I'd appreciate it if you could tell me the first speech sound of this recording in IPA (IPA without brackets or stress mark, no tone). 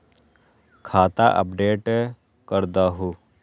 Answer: kʰ